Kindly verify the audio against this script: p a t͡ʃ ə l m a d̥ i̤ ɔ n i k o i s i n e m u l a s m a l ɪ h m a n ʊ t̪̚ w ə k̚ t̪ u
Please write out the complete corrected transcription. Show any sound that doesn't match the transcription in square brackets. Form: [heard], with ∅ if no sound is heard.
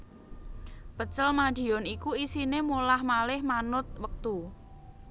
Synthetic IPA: p [ə] t͡ʃ ə l m a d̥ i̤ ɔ n i k [u] i s i n e m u l a [h] m a l ɪ h m a n ʊ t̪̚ w ə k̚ t̪ u